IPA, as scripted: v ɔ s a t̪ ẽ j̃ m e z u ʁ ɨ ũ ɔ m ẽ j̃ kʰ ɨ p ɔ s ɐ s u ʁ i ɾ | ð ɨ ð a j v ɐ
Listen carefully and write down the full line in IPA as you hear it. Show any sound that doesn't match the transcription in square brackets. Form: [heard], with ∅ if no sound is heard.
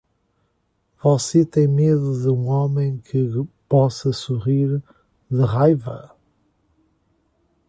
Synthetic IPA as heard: v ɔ s [e] t̪ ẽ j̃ m e [ð] u [ð] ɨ ũ ɔ m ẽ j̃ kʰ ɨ p ɔ s ɐ s u ʁ i ɾ | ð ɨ [ʁ] a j v ɐ